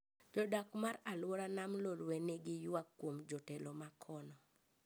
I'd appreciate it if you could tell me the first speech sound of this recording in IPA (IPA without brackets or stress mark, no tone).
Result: d͡ʒ